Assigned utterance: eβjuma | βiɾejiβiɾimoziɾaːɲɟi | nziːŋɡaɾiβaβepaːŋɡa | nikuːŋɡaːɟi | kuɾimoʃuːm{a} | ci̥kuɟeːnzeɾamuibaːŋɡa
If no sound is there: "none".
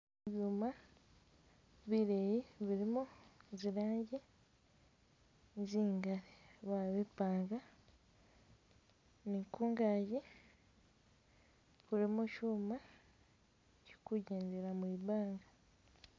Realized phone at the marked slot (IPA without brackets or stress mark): a